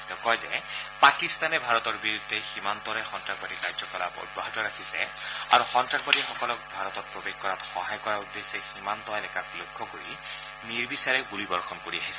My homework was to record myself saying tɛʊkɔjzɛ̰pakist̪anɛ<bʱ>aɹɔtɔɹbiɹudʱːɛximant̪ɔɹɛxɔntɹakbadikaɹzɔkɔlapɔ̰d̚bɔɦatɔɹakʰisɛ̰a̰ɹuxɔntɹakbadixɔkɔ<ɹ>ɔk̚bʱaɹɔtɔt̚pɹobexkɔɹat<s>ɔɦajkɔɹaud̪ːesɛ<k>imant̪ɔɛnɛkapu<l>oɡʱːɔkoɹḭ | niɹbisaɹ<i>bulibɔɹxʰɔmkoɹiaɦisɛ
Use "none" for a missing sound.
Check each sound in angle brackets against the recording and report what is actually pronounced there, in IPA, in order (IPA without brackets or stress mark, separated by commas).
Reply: bʱ, l, x, x, l, ɛ